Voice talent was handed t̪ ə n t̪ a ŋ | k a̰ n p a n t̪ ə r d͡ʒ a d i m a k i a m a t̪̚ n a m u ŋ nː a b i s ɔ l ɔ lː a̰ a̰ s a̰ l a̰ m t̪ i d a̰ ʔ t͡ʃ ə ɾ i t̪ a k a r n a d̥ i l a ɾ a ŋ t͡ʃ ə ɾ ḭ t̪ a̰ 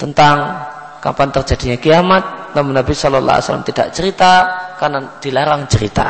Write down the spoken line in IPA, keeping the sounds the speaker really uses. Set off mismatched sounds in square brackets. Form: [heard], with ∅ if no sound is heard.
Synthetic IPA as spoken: t̪ ə n t̪ a ŋ | k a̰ [m] p a n t̪ ə r d͡ʒ a d i [ɲ] a k i a m a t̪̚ n a m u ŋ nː a b i s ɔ l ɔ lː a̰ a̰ s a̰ l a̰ m t̪ i d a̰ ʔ t͡ʃ ə ɾ i t̪ a k a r n a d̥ i l a ɾ a ŋ t͡ʃ ə ɾ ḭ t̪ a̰